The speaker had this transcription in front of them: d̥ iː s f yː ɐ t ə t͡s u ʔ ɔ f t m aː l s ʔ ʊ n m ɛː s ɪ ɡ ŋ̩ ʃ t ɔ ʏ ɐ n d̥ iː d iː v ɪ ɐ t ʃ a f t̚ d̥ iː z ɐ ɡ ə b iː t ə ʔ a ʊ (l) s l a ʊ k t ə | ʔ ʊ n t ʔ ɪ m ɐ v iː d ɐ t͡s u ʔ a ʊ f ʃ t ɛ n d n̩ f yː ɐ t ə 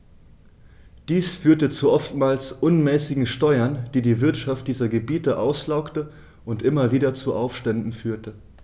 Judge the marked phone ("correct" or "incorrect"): incorrect